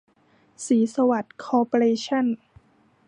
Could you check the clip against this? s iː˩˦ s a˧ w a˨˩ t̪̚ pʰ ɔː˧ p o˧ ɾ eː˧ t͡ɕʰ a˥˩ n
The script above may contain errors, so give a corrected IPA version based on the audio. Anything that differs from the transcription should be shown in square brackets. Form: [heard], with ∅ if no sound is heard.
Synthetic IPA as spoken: s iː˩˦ s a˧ w a˨˩ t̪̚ [kʰ] ɔː˧ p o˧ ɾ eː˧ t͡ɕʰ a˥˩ n